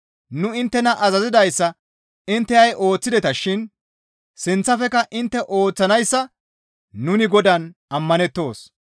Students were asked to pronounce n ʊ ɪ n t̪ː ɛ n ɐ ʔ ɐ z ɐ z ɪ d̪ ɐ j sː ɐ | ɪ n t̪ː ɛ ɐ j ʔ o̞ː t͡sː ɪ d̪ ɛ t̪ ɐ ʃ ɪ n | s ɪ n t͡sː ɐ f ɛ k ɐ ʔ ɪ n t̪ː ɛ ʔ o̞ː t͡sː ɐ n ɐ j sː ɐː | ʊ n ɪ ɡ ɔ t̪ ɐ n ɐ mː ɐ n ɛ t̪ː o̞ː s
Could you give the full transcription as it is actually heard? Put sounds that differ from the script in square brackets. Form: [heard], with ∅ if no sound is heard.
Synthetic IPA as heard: n ʊ ɪ n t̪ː ɛ n ɐ ʔ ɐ z ɐ z ɪ d̪ ɐ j sː ɐ | ɪ n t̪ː ɛ ɐ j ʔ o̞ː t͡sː ɪ d̪ ɛ t̪ ɐ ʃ ɪ n | s ɪ n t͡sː ɐ f ɛ k ɐ ʔ ɪ n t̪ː ɛ ʔ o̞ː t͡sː ɐ n ɐ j sː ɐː | ʊ n ɪ ɡ ɔ [d̪] ɐ n ɐ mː ɐ n ɛ t̪ː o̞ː s